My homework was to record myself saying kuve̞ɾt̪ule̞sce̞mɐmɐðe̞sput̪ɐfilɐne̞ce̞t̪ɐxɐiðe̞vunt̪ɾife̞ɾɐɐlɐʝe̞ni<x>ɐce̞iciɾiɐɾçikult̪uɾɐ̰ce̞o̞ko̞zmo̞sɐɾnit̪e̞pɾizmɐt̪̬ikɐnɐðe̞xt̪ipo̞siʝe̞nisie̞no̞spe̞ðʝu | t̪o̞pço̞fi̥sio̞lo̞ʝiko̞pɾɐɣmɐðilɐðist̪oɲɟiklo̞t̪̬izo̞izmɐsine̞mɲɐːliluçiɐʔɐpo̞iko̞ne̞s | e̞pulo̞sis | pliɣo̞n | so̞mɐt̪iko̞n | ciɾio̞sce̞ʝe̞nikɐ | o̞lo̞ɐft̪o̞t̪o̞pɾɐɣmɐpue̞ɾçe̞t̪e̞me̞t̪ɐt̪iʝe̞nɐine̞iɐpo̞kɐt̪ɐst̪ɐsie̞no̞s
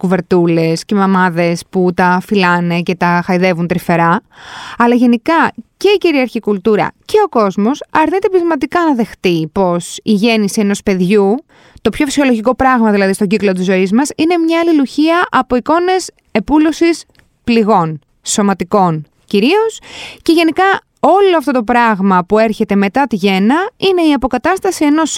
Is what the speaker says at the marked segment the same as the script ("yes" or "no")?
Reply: no